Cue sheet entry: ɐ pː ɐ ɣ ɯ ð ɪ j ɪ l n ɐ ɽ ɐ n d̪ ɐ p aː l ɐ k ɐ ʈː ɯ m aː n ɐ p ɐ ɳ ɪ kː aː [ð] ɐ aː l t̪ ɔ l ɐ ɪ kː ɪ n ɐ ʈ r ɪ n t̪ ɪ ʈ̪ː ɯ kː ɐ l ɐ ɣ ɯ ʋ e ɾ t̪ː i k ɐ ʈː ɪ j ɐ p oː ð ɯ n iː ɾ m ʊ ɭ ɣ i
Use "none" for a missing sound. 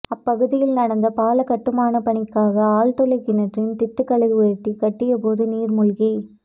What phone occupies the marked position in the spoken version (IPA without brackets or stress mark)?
ɣ